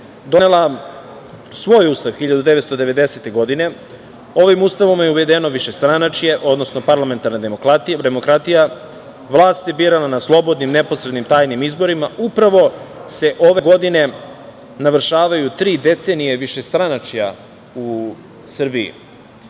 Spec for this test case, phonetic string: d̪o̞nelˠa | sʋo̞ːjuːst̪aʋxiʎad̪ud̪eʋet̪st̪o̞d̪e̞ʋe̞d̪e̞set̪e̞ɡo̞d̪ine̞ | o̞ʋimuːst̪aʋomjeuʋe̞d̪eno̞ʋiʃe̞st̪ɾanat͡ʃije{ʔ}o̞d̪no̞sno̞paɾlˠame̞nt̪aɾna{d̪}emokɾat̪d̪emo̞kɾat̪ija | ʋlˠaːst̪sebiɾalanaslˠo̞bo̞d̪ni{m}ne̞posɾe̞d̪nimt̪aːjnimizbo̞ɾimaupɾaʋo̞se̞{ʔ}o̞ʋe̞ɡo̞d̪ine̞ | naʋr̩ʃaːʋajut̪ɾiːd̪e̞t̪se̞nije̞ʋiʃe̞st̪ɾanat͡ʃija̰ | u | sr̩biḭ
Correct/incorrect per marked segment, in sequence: correct, correct, correct, correct

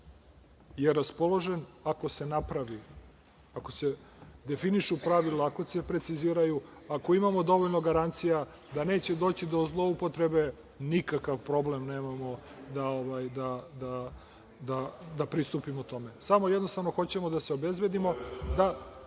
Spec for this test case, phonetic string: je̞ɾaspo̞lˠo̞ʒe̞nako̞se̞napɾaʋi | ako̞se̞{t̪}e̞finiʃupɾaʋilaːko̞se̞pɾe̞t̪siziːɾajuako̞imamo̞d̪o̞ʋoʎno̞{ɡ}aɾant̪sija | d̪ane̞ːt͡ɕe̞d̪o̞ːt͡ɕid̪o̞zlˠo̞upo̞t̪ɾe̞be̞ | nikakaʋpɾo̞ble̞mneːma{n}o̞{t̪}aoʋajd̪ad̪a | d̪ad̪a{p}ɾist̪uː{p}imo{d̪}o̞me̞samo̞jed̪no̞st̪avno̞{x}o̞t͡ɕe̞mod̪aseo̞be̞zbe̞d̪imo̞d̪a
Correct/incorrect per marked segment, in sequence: incorrect: d̪, correct, incorrect: m, incorrect: d̪, correct, correct, incorrect: t̪, correct

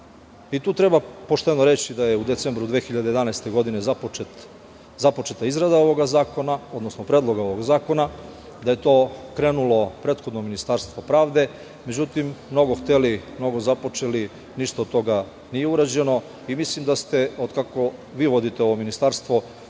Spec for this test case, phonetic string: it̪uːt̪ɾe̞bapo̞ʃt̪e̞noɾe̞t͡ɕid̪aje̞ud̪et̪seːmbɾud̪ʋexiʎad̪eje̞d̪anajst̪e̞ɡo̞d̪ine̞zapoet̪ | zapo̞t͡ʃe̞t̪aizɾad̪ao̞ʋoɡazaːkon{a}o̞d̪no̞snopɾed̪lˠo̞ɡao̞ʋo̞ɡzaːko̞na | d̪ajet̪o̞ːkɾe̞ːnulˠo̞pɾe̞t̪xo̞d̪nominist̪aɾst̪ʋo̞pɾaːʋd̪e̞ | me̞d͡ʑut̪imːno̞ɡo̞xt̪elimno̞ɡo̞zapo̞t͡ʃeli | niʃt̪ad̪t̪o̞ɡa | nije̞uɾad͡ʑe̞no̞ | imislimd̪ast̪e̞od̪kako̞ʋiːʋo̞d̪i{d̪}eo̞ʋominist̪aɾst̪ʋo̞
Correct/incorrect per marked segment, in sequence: correct, incorrect: t̪

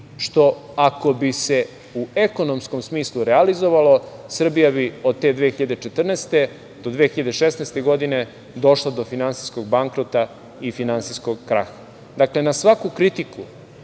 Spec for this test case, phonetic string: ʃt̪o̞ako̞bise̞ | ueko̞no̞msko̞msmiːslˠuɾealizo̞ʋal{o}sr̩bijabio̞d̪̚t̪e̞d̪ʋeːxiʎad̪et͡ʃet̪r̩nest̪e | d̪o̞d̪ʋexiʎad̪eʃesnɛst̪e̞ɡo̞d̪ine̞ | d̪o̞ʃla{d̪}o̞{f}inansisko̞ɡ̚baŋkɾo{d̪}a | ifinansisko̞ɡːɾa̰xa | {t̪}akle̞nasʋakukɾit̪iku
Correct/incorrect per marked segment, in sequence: correct, correct, correct, incorrect: t̪, incorrect: d̪

